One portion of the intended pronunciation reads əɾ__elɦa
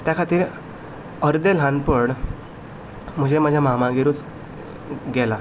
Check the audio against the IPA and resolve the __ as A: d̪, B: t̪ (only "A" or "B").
A